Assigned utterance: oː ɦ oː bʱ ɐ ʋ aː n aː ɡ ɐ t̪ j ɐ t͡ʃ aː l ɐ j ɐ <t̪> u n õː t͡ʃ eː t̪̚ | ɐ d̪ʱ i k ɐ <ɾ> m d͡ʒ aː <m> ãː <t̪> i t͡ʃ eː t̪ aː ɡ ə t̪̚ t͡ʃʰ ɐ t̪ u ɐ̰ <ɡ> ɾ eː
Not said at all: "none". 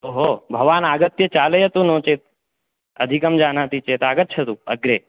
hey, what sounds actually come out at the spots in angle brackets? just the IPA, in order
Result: t̪, none, n, t̪, ɡ

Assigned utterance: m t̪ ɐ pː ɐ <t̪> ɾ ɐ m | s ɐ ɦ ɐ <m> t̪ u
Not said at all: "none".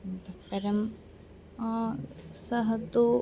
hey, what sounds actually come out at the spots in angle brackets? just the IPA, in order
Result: none, none

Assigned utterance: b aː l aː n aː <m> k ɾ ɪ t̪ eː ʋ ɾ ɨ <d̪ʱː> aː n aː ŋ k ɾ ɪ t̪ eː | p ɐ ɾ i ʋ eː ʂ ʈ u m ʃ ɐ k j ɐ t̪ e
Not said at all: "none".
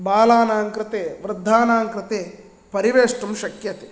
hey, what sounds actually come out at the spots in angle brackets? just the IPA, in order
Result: ŋ, d̪ʱː

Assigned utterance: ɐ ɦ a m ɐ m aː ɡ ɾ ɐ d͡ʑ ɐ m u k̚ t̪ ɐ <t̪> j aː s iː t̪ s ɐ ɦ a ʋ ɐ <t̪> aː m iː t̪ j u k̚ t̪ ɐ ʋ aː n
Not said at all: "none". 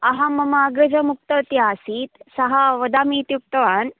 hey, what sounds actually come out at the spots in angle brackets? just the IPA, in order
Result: t̪, d̪

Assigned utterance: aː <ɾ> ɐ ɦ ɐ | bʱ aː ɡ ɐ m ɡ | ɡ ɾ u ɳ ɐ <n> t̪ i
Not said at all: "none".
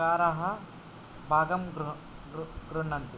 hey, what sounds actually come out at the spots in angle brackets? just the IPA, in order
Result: ɾ, n

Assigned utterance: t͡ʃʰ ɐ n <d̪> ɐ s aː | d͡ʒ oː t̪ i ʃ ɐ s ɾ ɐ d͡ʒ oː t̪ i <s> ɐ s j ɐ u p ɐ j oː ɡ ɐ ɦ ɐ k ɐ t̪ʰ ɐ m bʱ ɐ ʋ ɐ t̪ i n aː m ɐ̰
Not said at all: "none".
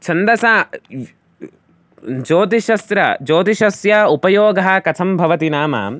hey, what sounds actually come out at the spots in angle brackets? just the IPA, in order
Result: d̪, ʃ

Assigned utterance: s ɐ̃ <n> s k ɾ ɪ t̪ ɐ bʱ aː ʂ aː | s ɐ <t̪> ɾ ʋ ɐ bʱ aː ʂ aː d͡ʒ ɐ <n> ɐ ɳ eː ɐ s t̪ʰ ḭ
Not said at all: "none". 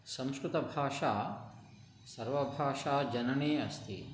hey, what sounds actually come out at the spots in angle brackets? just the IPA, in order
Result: m, none, n

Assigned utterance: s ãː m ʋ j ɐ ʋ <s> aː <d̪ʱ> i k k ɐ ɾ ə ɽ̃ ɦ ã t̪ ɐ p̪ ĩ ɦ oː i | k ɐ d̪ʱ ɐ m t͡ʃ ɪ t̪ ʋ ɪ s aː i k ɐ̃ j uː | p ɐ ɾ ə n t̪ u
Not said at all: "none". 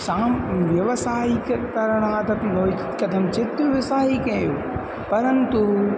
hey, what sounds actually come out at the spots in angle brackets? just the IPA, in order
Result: s, none

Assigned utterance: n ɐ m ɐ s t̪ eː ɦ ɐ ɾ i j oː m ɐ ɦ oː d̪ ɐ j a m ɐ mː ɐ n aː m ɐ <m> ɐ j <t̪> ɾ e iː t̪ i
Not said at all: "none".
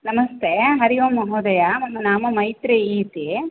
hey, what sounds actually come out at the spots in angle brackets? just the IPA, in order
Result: m, t̪

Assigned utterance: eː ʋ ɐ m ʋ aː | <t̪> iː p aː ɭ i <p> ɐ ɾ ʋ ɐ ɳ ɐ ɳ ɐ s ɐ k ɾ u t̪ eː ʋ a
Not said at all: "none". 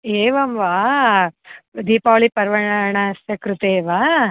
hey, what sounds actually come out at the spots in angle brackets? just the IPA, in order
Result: d̪, p

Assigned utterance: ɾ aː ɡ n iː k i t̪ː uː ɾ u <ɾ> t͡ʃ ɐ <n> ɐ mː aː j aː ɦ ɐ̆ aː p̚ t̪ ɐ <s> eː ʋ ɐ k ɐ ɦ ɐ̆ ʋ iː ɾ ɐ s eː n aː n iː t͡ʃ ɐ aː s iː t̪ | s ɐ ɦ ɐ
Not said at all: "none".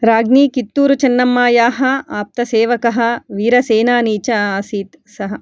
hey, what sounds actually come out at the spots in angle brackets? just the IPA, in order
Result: none, nː, s

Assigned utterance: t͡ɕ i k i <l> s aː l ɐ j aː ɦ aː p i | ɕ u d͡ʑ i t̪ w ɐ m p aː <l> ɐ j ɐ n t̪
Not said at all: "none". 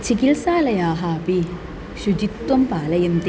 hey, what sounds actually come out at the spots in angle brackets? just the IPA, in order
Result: l, l

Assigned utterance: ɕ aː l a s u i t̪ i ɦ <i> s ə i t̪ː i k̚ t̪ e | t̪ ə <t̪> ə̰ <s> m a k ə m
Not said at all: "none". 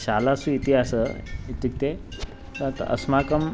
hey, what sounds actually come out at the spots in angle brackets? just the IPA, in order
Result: a, t̪, s

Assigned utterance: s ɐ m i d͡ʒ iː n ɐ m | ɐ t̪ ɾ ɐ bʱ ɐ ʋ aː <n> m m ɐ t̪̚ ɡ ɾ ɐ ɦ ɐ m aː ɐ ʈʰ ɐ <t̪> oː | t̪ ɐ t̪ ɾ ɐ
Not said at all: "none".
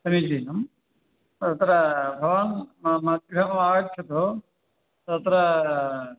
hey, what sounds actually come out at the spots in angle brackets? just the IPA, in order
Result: n, t̪

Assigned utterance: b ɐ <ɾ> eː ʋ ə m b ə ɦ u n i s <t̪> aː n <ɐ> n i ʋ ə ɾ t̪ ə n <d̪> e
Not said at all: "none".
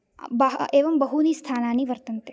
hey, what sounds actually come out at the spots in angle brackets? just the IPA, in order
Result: none, t̪ʰ, a, t̪

